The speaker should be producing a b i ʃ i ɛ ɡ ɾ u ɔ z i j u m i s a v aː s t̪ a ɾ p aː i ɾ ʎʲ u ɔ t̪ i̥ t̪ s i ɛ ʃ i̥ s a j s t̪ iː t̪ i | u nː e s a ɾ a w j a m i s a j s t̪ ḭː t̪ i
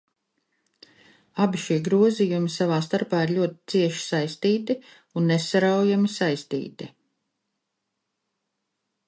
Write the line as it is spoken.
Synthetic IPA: a b i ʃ i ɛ ɡ ɾ u ɔ z i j u m i s a v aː s t̪ a ɾ p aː i ɾ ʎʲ u ɔ t̪ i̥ t̪ s i ɛ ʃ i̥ s a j s t̪ iː t̪ i | u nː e s a ɾ a w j a m i s a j s t̪ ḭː t̪ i